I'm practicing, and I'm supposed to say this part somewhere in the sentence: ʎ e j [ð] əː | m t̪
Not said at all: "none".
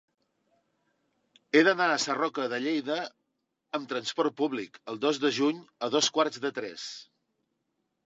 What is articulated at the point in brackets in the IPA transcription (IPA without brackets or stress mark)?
ð